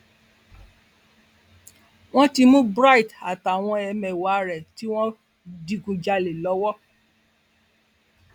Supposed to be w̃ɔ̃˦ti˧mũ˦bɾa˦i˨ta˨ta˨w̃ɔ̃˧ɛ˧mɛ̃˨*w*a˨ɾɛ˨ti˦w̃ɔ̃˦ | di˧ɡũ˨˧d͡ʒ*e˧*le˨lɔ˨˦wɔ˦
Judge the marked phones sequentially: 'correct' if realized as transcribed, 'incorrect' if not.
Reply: correct, incorrect: a˧

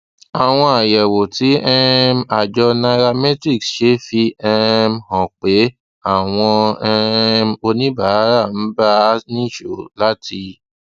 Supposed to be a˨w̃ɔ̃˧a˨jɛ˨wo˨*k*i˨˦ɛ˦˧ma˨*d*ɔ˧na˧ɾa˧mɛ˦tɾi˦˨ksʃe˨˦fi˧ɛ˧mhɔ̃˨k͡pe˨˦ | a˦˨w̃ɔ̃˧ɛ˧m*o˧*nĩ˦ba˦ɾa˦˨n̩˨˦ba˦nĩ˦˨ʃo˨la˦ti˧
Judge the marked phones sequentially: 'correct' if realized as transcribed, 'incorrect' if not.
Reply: incorrect: t, incorrect: d͡ʒ, correct

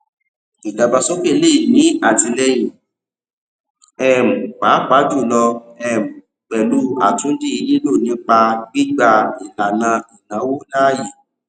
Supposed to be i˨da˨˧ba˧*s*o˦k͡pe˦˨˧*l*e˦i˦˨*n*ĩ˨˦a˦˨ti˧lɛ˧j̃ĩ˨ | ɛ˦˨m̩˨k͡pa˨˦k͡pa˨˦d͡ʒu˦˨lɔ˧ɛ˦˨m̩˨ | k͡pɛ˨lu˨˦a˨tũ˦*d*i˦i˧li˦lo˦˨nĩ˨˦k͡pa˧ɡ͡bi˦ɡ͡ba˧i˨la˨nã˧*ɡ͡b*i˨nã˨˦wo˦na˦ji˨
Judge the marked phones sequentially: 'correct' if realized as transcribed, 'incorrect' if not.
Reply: correct, correct, correct, correct, incorrect: none

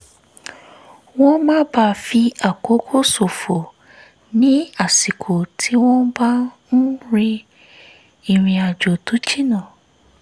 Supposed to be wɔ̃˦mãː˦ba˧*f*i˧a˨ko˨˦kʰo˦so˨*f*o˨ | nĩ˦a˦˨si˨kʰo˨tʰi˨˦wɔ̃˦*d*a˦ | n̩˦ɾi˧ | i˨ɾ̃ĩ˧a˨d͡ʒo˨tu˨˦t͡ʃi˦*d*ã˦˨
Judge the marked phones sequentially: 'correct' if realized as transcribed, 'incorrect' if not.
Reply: correct, correct, incorrect: b, incorrect: n

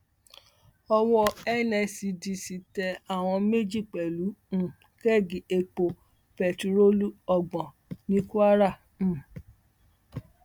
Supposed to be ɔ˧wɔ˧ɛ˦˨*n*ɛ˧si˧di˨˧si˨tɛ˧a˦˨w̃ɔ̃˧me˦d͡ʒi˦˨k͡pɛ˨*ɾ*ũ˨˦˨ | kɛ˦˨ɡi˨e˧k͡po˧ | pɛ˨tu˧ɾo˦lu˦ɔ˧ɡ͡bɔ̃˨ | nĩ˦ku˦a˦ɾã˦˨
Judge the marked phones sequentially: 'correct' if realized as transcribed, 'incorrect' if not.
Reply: correct, incorrect: l

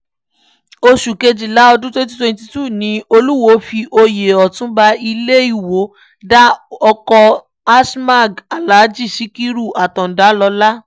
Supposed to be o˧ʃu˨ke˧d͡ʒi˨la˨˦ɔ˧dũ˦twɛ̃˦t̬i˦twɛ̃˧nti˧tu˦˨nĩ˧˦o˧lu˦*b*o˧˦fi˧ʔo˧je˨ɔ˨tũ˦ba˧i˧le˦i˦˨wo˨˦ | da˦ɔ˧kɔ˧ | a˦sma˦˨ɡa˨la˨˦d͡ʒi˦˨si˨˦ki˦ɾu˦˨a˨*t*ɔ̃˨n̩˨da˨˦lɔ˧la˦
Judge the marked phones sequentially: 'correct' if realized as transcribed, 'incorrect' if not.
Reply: incorrect: w, correct

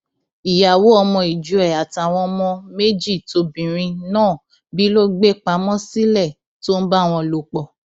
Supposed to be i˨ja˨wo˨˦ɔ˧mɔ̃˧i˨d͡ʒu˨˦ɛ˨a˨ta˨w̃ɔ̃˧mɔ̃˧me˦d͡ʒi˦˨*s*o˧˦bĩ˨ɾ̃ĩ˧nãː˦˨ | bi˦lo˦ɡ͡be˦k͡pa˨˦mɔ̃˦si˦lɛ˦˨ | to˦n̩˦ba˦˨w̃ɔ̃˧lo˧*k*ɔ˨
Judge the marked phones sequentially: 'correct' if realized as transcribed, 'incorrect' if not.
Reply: incorrect: t, incorrect: k͡p

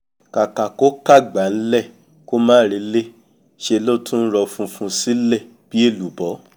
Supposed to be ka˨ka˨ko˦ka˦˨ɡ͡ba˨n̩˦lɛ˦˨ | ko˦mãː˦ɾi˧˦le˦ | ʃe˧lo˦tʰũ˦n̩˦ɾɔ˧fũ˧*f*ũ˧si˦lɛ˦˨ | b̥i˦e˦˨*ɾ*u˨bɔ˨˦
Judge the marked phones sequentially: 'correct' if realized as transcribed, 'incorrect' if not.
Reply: correct, incorrect: l

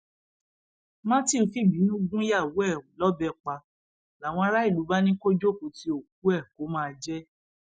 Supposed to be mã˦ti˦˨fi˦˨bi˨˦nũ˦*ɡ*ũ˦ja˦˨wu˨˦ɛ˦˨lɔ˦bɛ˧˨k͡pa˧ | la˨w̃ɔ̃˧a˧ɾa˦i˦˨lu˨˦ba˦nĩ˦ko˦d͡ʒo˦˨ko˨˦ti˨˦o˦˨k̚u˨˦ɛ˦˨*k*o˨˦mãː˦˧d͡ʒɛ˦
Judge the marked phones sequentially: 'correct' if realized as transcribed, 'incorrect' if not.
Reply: correct, correct

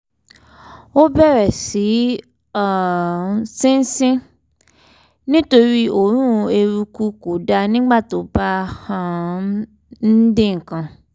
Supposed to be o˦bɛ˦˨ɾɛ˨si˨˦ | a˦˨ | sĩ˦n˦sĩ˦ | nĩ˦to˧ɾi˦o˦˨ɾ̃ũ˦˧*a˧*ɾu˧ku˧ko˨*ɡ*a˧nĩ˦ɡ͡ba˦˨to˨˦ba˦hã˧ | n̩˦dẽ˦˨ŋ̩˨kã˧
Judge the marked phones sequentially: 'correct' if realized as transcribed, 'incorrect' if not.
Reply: incorrect: e˧, incorrect: d

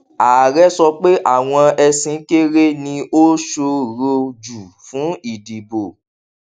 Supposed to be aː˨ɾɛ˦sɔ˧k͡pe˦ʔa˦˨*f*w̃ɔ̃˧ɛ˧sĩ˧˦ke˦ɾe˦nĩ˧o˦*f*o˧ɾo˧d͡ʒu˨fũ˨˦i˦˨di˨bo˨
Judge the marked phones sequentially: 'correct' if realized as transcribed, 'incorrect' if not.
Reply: incorrect: none, incorrect: ʃ

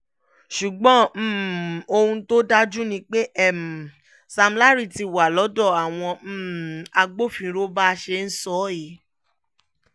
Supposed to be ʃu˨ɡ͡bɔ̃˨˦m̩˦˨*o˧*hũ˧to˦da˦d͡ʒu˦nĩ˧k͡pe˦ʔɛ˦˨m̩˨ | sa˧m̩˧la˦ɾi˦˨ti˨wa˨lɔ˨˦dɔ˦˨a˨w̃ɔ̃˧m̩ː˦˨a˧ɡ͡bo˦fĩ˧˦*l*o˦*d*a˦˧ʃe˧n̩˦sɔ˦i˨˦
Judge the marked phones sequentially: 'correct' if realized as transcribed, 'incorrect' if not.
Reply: correct, incorrect: ɾ, incorrect: b

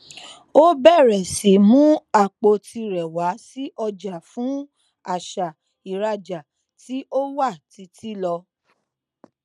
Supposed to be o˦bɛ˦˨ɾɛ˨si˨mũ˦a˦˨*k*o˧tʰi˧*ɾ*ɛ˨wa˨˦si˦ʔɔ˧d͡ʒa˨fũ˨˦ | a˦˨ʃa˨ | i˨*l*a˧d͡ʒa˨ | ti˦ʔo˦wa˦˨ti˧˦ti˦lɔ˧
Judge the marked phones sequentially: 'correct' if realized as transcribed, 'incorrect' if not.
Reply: incorrect: k͡p, correct, incorrect: ɾ

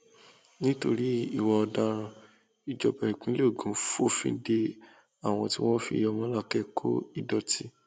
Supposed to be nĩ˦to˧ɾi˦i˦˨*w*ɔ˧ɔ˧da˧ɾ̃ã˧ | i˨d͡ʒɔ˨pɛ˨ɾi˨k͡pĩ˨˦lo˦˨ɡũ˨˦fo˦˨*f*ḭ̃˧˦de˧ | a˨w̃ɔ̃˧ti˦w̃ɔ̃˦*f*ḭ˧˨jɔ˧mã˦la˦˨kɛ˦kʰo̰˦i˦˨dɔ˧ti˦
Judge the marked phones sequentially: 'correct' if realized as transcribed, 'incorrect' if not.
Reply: correct, correct, correct

